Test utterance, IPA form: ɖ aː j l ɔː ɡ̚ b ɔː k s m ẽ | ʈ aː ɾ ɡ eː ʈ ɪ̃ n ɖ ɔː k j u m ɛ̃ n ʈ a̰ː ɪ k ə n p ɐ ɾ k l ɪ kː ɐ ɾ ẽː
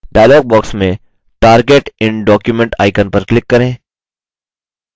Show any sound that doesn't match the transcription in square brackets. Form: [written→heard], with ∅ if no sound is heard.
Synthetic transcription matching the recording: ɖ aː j l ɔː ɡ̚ b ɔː k s m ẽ | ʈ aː ɾ ɡ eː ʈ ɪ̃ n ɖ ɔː k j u m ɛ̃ [n→ɳ] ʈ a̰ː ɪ k ə n p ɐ ɾ k l ɪ kː ɐ ɾ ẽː